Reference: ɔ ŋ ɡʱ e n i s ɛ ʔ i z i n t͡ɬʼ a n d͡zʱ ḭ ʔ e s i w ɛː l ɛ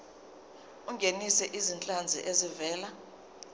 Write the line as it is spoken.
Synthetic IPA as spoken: u ŋ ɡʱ e n i s ɛ ʔ i z i n t͡ɬʼ a n d͡zʱ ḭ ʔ e z i v ɛː l a